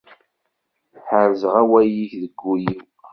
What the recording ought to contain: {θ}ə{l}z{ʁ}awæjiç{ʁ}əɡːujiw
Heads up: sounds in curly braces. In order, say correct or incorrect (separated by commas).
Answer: incorrect, incorrect, correct, incorrect